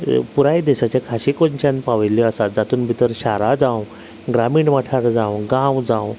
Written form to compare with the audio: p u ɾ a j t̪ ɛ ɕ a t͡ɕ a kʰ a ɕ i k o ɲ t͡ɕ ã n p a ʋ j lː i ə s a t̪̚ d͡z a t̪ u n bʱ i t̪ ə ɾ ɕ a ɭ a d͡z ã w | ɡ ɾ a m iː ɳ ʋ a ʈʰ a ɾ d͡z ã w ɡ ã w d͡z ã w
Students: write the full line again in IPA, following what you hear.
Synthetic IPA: p u ɾ a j d̪ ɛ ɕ a t͡ɕ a kʰ a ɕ i k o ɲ t͡ɕ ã n p a ʋ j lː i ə s a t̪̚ d͡z a t̪ uː n bʱ i t̪ ə ɾ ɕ a ɾ a d͡z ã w | ɡ ɾ a m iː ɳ ʋ a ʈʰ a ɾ d͡z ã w ɡ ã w d͡z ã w